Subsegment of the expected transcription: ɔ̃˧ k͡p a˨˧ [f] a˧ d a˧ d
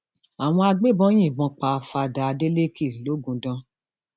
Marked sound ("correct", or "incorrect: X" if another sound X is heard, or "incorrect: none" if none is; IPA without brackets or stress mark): correct